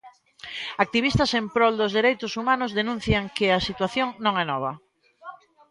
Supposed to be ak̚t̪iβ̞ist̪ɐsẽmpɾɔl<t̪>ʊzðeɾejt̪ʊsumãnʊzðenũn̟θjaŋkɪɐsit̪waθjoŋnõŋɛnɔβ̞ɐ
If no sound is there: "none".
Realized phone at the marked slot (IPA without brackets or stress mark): d̪